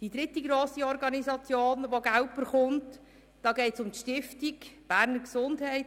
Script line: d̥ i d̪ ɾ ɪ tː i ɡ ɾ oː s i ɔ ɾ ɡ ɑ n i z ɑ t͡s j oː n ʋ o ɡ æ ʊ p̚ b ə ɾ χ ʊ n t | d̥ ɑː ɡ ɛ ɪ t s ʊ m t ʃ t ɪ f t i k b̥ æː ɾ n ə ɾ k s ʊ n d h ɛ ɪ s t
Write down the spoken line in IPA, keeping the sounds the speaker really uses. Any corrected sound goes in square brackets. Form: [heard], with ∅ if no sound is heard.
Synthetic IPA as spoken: d̥ i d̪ ɾ ɪ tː i ɡ ɾ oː s i ɔ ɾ ɡ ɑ n i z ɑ t͡s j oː n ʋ o ɡ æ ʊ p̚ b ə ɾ χ ʊ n t | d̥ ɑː ɡ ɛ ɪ t s ʊ m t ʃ t ɪ f t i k b̥ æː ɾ n ə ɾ k s ʊ n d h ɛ ɪ [∅] t